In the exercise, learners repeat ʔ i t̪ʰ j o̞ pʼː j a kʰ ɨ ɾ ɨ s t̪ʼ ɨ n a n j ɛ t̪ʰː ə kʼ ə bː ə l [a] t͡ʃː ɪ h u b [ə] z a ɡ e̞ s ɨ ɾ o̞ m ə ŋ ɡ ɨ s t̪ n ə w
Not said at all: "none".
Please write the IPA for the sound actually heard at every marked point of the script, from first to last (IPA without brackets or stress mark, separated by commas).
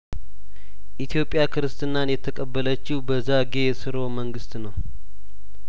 ə, ə